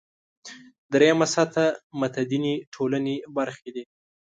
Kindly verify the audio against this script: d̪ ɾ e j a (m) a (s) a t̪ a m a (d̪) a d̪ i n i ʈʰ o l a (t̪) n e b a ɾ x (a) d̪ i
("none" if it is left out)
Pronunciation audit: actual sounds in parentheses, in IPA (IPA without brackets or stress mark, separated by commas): m, s, t̪, none, e